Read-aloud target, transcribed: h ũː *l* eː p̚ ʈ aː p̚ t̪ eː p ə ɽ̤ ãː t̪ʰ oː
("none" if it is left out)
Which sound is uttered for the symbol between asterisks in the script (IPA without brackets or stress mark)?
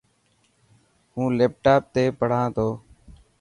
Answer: l